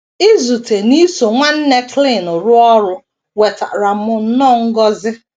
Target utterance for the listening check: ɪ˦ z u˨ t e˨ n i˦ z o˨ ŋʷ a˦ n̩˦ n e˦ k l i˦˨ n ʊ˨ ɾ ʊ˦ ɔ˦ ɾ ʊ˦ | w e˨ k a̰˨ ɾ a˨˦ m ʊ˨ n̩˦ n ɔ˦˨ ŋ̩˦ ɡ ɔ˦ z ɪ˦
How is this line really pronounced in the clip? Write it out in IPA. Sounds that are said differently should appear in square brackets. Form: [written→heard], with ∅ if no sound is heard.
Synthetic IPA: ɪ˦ z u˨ t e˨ n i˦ [z→s] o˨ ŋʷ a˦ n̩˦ n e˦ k l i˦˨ n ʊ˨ ɾ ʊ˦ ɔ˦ ɾ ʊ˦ | w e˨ [k→t] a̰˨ ɾ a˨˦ m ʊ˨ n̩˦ n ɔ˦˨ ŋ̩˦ ɡ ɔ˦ z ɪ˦